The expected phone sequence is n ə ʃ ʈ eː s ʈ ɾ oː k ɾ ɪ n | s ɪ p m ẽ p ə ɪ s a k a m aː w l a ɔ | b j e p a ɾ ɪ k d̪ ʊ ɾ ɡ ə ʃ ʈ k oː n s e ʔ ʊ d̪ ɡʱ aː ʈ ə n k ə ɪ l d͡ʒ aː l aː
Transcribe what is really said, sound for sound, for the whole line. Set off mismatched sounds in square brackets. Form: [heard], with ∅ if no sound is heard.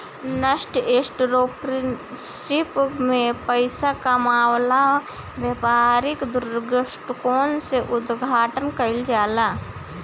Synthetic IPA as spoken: n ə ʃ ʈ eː s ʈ ɾ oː [p] ɾ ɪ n | s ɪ p m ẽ p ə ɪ s a k a m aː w l a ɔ | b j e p a ɾ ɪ k d̪ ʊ ɾ ɡ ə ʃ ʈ k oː n s e ʔ ʊ d̪ ɡʱ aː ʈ ə n k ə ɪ l d͡ʒ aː l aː